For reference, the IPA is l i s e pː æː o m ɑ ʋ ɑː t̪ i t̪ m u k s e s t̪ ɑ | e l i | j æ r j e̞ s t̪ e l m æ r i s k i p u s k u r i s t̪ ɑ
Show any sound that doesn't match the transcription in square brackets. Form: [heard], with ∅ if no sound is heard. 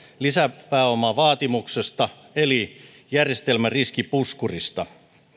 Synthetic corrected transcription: l i s [æ] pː æː o m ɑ ʋ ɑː t̪ i [∅] m u k s e s t̪ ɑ | e l i | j æ r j e̞ s t̪ e l m æ r i s k i p u s k u r i s t̪ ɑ